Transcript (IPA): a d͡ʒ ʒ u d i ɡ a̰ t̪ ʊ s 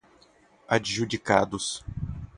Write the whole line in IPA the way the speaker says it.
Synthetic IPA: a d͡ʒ ʒ u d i k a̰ d̪ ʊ s